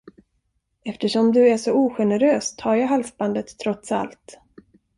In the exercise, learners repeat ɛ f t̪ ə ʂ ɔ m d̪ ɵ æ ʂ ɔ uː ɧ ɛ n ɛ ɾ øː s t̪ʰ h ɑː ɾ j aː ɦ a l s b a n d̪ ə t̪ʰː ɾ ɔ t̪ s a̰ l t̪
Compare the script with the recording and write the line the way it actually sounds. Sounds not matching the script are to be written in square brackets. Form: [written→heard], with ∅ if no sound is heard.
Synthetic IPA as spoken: ɛ f t̪ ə ʂ ɔ m d̪ ɵ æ ʂ ɔ uː ɧ ɛ n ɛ ɾ øː s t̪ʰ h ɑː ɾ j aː ɦ a l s b a n d̪ ə t̪ʰː ɾ ɔ t̪ s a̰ l t̪